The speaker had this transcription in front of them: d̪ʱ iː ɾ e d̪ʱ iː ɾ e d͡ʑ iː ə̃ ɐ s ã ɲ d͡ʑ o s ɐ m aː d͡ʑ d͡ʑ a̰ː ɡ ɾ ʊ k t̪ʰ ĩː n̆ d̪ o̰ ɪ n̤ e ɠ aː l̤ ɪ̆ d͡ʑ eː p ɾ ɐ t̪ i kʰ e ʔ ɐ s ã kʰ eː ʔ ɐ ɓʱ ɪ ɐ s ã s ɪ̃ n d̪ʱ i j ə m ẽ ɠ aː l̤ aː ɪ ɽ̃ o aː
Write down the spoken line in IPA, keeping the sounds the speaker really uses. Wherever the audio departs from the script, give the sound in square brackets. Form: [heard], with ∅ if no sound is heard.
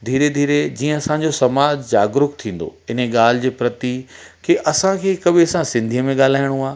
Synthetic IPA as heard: d̪ʱ iː ɾ e d̪ʱ iː ɾ e d͡ʑ iː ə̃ ɐ s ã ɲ d͡ʑ o s ɐ m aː d͡ʑ d͡ʑ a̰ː ɡ ɾ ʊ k t̪ʰ ĩː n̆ d̪ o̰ ɪ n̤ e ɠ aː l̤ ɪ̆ d͡ʑ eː p ɾ ɐ t̪ i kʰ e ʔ ɐ s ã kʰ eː [k] ɐ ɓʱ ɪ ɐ s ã s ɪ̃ n d̪ʱ i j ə m ẽ ɠ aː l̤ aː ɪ ɽ̃ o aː